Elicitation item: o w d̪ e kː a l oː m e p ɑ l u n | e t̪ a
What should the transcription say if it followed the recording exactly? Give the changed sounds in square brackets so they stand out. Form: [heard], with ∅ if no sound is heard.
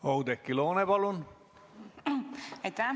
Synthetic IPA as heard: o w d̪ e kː [i] l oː [n] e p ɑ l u n | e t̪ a